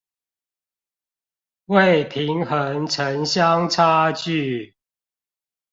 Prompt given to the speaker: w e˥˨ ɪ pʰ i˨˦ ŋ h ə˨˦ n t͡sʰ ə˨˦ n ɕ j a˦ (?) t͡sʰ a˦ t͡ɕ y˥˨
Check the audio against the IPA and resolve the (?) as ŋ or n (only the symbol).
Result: ŋ